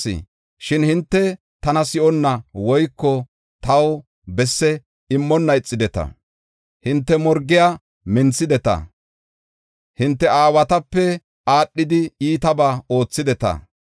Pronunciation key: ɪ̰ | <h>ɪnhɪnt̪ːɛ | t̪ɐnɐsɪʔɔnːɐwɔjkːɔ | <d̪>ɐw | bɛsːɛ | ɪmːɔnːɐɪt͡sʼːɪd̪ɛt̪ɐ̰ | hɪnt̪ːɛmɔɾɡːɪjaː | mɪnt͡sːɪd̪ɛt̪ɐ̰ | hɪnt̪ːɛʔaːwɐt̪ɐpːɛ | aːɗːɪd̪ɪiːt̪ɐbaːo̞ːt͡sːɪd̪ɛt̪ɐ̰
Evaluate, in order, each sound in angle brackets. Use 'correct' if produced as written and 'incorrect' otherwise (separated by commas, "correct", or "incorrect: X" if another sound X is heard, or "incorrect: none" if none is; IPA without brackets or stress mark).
incorrect: ʃ, incorrect: t̪